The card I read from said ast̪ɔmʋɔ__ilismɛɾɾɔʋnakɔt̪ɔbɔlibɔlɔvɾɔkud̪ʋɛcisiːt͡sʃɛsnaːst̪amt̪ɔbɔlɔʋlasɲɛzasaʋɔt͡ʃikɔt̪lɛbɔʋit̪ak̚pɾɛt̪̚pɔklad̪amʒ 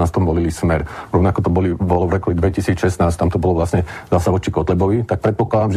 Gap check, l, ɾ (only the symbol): l